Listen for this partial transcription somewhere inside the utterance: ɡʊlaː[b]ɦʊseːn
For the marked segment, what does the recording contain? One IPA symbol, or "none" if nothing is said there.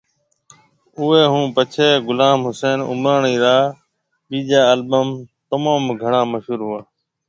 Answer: m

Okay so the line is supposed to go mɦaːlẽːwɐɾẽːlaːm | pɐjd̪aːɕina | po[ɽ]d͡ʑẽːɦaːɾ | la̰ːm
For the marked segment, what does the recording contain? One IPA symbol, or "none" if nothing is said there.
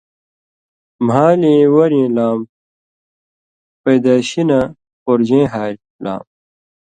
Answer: ɾ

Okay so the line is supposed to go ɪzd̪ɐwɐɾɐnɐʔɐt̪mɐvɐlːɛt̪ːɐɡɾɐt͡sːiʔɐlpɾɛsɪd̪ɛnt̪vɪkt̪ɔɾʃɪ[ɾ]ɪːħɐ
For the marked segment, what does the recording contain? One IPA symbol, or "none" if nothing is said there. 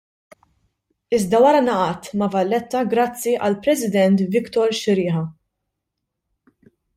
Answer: ɾ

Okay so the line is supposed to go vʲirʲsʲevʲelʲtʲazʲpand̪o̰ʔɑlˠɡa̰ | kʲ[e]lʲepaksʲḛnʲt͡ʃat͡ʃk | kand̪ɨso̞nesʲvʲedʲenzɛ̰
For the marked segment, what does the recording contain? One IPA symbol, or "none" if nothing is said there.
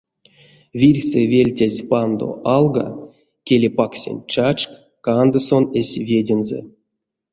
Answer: e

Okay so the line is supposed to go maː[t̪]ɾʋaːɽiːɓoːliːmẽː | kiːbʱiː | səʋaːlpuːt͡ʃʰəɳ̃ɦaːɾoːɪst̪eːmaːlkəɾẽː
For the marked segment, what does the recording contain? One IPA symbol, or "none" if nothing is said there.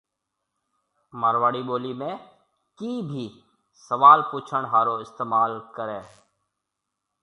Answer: none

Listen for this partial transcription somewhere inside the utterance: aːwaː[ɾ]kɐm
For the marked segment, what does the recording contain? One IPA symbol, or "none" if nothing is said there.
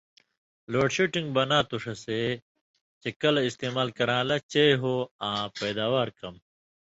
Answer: ɾ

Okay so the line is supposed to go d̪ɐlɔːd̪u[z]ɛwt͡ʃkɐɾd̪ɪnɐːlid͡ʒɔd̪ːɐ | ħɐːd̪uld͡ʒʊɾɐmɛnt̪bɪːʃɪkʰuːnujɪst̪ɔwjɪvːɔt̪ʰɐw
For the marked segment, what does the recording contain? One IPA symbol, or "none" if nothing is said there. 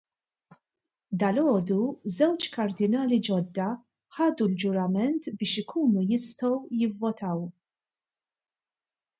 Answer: z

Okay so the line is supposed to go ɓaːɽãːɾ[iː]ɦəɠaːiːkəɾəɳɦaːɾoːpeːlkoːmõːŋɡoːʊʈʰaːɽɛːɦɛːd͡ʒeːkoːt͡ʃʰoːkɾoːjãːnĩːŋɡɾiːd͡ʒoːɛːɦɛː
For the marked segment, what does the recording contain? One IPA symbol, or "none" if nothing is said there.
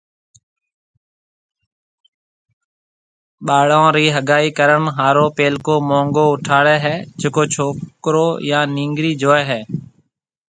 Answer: iː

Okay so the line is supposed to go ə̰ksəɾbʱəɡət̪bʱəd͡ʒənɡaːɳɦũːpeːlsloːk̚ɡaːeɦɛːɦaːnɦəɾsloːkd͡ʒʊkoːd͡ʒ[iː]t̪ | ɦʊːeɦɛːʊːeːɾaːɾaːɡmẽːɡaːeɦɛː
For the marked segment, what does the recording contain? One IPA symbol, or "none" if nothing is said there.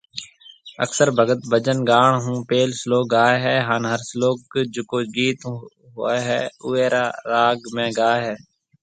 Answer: iː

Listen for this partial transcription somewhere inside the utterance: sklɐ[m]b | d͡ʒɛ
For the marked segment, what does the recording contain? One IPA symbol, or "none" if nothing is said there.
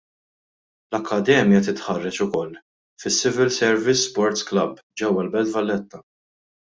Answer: none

